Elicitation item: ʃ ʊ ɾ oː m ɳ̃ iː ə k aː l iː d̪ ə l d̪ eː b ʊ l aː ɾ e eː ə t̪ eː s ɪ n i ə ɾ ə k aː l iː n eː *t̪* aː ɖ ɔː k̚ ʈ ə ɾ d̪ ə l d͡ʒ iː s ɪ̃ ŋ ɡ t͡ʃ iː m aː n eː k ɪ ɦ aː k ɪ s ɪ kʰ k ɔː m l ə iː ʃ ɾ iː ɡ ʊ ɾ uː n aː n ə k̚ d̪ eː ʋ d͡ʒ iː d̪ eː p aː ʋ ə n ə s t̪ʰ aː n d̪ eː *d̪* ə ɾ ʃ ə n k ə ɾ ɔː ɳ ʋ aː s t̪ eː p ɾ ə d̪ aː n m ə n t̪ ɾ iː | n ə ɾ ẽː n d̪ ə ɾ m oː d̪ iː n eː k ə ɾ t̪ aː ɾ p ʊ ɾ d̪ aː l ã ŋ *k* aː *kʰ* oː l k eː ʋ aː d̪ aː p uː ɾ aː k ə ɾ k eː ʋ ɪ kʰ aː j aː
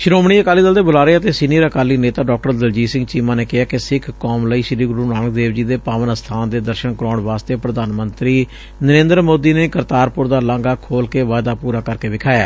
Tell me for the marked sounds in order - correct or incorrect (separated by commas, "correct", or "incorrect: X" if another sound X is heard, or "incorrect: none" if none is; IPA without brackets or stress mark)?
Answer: correct, correct, incorrect: ɡ, correct